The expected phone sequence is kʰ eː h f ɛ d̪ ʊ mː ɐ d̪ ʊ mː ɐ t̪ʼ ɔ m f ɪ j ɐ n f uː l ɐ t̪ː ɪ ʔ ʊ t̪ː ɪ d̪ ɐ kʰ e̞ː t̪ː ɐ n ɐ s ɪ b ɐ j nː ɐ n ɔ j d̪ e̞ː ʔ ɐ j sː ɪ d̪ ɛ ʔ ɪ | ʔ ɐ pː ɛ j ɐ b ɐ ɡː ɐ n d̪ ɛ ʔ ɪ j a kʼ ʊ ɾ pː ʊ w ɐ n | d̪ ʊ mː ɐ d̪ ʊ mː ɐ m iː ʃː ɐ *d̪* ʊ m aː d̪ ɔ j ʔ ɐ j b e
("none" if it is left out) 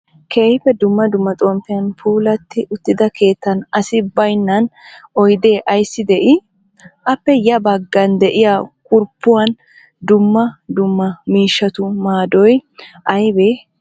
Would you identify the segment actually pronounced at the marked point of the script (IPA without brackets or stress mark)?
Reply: t̪